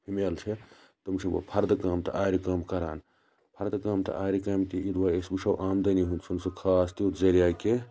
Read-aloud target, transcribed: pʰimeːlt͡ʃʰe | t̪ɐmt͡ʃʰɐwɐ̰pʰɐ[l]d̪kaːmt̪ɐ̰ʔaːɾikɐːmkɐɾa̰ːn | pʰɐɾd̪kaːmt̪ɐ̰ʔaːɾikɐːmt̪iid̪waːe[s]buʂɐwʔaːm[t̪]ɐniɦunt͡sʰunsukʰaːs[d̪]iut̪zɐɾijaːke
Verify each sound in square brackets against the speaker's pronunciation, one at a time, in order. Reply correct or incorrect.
incorrect, correct, incorrect, incorrect

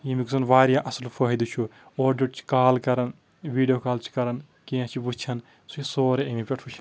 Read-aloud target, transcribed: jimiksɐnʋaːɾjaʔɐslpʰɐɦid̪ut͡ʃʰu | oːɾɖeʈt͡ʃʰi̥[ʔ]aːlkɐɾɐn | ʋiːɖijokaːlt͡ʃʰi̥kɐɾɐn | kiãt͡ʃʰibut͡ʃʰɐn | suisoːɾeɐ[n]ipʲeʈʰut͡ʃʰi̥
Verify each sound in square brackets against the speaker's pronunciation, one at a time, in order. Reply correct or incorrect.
incorrect, incorrect

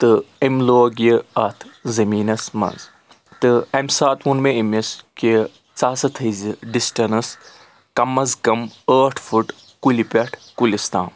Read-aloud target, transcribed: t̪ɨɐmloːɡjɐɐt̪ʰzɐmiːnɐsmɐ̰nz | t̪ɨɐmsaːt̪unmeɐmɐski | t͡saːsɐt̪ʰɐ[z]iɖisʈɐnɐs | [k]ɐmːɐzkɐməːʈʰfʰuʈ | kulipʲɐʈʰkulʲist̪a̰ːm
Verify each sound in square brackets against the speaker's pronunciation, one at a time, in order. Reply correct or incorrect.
correct, correct

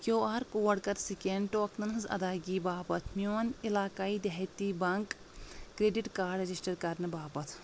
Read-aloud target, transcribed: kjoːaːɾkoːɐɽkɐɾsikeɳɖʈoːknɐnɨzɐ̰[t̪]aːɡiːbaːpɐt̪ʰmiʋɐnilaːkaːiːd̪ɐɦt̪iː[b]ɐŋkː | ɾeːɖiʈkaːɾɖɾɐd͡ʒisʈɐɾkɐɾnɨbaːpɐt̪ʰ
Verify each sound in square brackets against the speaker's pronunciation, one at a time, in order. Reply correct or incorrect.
incorrect, correct

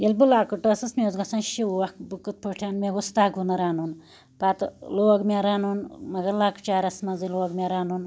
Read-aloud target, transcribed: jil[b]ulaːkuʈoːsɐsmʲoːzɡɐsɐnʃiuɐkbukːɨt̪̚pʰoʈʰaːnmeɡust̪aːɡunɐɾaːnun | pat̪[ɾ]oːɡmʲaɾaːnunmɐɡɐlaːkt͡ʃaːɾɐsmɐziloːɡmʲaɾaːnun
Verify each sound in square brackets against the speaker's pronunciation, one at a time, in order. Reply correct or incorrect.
correct, incorrect

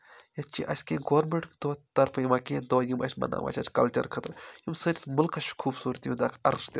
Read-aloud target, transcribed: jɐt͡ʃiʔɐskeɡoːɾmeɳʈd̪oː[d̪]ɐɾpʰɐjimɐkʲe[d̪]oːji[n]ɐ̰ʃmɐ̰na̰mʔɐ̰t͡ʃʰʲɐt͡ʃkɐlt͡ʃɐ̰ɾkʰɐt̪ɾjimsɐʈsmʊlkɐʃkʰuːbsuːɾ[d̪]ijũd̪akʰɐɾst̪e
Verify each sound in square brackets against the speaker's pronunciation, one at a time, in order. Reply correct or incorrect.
incorrect, correct, incorrect, incorrect

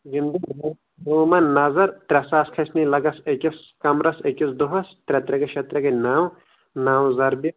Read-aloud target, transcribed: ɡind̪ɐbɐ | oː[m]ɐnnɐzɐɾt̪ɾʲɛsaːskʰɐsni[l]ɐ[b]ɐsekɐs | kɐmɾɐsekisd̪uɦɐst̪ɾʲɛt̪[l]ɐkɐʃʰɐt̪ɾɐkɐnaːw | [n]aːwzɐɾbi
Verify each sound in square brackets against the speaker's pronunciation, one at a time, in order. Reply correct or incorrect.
correct, correct, incorrect, incorrect, correct

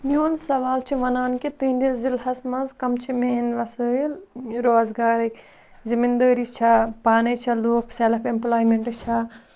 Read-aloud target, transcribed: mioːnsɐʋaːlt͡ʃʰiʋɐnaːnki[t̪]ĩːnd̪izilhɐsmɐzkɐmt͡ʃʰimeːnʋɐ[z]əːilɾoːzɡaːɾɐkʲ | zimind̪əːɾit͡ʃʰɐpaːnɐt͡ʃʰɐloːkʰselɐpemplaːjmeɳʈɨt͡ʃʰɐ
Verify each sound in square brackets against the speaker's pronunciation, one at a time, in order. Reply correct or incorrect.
correct, incorrect

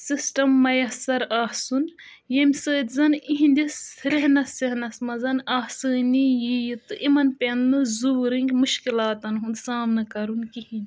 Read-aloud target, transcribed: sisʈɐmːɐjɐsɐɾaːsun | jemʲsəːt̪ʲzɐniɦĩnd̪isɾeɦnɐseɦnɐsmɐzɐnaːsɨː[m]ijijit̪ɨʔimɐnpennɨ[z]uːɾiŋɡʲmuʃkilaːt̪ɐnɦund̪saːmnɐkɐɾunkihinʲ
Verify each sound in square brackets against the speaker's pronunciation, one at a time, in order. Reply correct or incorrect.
incorrect, correct

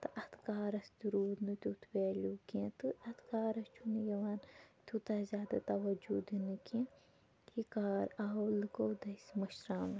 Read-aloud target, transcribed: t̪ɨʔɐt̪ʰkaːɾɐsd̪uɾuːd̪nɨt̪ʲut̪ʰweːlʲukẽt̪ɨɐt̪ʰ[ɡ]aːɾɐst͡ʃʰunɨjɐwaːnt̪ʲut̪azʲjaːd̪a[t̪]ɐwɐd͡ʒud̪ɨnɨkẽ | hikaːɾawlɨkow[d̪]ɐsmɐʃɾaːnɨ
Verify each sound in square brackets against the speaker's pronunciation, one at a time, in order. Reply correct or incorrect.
incorrect, correct, correct

